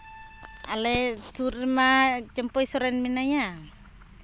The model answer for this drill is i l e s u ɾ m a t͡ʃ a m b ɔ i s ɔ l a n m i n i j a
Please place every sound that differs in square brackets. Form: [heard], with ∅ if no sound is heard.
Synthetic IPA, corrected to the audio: [a] l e s u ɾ m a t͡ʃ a m [p] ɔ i s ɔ [ɾ] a n m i n [a] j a